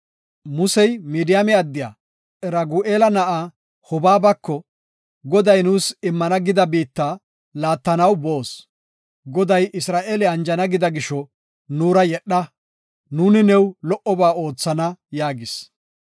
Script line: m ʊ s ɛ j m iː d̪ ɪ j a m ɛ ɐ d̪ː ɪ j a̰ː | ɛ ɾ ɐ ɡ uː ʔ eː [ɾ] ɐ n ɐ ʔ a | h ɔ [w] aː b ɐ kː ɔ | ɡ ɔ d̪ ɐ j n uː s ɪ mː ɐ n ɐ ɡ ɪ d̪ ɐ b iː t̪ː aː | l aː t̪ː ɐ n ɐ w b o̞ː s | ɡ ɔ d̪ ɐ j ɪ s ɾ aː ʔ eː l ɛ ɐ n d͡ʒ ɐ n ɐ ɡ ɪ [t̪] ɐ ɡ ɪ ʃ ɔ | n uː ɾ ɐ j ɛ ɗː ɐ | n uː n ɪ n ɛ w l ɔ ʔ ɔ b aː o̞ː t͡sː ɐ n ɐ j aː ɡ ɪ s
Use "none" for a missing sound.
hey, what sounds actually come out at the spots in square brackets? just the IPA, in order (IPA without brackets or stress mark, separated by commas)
l, b, d̪